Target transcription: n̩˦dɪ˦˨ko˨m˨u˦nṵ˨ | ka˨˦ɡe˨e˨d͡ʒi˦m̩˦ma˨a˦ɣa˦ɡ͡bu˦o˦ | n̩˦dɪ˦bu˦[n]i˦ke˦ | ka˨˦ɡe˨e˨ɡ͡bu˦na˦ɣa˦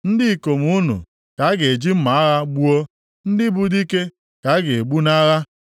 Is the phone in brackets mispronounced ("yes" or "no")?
yes